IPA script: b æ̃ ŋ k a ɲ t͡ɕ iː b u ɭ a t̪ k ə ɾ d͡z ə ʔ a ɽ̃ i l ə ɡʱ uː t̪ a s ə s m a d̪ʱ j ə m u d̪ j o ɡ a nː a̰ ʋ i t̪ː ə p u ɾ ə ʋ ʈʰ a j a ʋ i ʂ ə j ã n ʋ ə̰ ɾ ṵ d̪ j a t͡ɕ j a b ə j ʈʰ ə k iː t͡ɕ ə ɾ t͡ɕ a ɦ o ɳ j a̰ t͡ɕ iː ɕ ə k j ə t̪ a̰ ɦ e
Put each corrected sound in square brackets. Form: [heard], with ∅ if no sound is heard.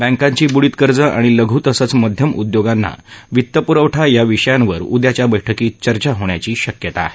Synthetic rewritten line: b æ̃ ŋ k a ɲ t͡ɕ iː b u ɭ [i] t̪ k ə ɾ d͡z ə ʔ a ɽ̃ i l ə ɡʱ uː t̪ [ə] s ə [t͡s] m [ə] d̪ʱ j ə m u d̪ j o ɡ a nː a̰ ʋ i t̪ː ə p u ɾ ə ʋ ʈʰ a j a ʋ i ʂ ə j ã n ʋ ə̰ ɾ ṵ d̪ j a t͡ɕ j a b ə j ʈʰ ə k iː t͡ɕ ə ɾ t͡ɕ a ɦ o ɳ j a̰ t͡ɕ iː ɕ ə k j ə t̪ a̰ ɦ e

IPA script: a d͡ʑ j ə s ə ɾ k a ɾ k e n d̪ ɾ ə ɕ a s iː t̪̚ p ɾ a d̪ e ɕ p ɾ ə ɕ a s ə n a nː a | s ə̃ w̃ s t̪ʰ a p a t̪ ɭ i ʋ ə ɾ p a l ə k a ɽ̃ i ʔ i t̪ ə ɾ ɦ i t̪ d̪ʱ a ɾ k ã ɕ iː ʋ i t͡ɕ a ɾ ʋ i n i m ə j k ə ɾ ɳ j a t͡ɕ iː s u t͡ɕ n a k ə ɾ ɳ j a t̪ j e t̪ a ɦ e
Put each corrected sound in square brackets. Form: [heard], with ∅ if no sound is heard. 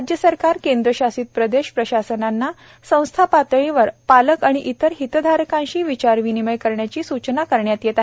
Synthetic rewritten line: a d͡ʑ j ə s ə ɾ k a ɾ k e n d̪ ɾ ə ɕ a s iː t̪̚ p ɾ [ə] d̪ e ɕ p ɾ ə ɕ a s ə n a nː a | s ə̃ w̃ s t̪ʰ a p a t̪ ɭ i ʋ ə ɾ p a l ə k a ɽ̃ i ʔ i t̪ ə ɾ ɦ i t̪ d̪ʱ a ɾ k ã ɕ iː ʋ i t͡ɕ a ɾ ʋ i n i m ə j k ə ɾ ɳ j a t͡ɕ iː s u t͡ɕ n a k ə ɾ ɳ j a t̪ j e t̪ a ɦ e

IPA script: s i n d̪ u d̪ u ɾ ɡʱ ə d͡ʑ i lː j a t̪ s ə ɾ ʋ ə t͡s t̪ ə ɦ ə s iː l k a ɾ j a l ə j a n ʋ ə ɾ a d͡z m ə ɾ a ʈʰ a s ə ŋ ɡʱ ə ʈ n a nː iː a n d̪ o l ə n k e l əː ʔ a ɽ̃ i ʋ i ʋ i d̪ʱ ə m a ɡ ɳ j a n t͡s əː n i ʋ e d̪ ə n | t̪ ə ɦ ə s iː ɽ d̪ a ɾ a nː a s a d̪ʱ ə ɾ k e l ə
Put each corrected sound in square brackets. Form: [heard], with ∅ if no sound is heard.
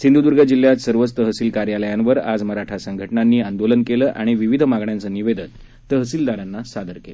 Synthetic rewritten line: s i n d̪ u d̪ u ɾ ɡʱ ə d͡ʑ i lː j a t̪ s ə ɾ ʋ ə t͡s t̪ ə ɦ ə s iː l k a ɾ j a l ə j a n ʋ ə ɾ a d͡z m ə ɾ a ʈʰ a s ə ŋ ɡʱ ə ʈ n a nː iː a n d̪ o l ə n k e l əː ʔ a ɽ̃ i ʋ i ʋ i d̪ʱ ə m a ɡ ɳ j a n t͡s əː n i ʋ e d̪ ə n | t̪ ə ɦ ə s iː [l] d̪ a ɾ a nː a s a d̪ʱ ə ɾ k e l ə

